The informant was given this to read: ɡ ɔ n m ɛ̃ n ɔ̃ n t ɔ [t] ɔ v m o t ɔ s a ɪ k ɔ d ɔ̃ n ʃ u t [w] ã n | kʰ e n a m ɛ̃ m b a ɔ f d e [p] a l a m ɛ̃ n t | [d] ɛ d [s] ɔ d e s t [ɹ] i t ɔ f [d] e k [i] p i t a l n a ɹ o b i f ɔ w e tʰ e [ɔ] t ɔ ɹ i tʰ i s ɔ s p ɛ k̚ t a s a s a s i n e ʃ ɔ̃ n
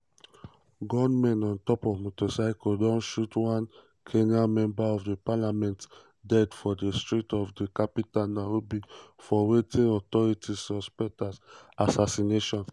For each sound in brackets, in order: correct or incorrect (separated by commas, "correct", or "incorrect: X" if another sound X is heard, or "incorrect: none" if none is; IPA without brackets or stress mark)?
incorrect: p, correct, correct, correct, incorrect: f, correct, correct, incorrect: a, correct